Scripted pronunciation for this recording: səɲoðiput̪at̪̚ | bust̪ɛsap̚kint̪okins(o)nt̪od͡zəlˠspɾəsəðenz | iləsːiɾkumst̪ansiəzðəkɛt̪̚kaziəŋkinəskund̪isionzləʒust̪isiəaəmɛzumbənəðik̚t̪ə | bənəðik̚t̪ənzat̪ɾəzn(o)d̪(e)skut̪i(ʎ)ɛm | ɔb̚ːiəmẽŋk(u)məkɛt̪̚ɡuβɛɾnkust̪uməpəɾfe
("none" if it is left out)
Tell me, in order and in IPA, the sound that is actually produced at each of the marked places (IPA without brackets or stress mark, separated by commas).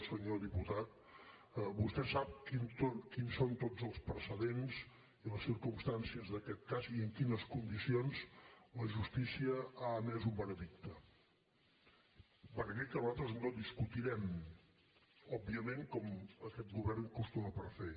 o, o, i, ɾ, ɔ